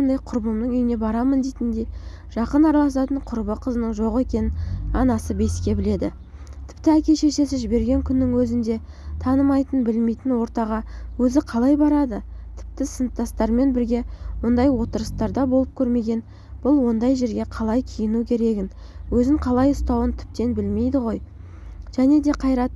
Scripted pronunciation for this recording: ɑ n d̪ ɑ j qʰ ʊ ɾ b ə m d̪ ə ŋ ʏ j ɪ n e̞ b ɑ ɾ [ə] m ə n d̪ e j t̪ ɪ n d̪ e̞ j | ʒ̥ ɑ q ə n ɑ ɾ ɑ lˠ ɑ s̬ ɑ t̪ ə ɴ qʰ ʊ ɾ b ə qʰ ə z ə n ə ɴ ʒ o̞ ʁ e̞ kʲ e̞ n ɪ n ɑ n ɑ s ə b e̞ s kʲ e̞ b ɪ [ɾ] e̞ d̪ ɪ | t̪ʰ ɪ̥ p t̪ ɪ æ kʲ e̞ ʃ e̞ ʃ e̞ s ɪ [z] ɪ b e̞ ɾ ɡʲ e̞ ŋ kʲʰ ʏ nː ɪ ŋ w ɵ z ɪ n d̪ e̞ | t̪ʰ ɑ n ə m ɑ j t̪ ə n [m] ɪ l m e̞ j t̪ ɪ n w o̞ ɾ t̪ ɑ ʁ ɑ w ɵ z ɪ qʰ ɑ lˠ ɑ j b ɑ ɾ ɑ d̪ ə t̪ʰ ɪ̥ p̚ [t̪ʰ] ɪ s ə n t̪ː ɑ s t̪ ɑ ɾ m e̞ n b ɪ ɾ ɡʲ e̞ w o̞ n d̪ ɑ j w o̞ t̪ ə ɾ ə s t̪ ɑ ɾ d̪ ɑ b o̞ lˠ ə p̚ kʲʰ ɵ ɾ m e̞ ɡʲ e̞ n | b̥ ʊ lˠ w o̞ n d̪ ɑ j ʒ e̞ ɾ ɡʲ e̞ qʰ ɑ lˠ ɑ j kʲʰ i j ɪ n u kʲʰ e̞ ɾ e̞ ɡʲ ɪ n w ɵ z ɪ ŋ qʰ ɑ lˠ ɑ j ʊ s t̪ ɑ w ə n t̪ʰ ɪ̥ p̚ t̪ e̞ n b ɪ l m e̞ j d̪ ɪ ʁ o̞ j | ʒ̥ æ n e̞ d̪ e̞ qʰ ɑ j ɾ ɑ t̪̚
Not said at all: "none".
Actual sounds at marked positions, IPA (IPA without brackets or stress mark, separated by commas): ɑ, l, ʒ, b, t̪